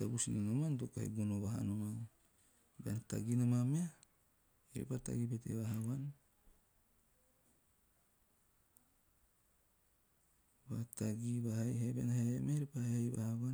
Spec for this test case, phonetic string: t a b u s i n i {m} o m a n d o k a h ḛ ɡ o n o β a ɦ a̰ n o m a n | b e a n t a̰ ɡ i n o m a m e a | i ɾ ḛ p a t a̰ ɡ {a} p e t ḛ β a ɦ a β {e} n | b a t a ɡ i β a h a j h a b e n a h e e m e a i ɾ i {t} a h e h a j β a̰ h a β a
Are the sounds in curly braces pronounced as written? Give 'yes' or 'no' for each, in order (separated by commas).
no, no, no, no